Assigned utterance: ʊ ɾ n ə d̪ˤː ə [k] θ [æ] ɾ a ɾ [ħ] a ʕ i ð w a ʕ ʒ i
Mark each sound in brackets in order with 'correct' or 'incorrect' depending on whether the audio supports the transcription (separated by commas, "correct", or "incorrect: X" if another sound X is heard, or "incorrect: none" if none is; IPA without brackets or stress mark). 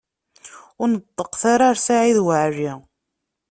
incorrect: q, incorrect: a, incorrect: s